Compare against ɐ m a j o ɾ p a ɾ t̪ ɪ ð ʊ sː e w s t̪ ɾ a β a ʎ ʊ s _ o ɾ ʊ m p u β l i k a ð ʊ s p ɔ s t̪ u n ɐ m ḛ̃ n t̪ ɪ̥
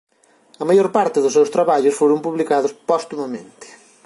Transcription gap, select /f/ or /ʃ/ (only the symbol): f